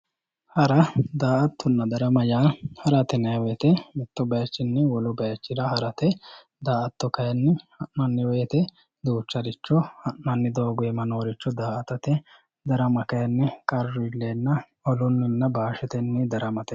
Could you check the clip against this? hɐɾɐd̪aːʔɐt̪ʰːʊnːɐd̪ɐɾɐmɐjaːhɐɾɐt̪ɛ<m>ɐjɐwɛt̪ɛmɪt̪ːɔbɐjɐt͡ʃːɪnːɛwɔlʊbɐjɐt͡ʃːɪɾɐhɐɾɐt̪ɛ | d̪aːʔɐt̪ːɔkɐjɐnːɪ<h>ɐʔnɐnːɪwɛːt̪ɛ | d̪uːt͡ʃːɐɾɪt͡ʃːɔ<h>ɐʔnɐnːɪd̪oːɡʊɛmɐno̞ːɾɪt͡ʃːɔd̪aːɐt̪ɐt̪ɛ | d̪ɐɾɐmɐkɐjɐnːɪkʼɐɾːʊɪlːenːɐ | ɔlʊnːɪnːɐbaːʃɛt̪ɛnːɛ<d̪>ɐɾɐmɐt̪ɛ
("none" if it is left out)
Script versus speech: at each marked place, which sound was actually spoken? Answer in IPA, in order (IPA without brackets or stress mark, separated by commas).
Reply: n, h, h, d̪